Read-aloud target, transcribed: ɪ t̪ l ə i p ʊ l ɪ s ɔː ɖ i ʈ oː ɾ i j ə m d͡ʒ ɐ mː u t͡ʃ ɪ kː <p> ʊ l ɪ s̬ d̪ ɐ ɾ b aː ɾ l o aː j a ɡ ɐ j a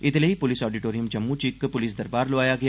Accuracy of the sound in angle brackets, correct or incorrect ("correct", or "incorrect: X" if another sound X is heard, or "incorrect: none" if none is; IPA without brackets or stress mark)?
correct